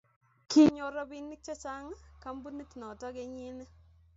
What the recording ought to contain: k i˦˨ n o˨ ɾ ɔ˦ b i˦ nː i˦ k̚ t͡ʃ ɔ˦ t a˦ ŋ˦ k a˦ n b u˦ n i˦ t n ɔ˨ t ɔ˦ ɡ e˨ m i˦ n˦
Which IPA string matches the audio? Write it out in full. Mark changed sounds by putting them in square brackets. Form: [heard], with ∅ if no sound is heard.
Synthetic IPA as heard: k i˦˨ [ɲ] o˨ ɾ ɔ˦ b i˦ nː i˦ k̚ t͡ʃ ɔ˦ [t͡ʃ] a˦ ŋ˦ k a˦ [m] b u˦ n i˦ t n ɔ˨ t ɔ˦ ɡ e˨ [ɲ] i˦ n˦

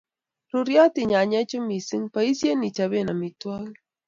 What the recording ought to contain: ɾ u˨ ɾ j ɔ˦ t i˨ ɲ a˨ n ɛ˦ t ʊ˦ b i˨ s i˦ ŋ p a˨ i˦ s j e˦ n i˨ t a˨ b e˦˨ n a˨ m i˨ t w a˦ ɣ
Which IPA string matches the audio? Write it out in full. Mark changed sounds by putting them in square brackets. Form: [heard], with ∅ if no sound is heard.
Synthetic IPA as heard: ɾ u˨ ɾ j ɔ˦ t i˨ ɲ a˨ [ɲ] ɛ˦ [t͡ʃ] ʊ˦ [m] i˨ s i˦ ŋ p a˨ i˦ s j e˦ n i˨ [t͡ʃ] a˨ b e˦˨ n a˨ m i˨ t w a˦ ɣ

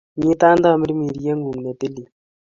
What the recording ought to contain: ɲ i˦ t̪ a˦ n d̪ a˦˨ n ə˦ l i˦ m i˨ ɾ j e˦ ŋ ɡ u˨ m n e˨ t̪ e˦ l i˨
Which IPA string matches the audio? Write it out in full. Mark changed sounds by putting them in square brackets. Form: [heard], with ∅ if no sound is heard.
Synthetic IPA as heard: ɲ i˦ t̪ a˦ n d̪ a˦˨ [m] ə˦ [ɾ] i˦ m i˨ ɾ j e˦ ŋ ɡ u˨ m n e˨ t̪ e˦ l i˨

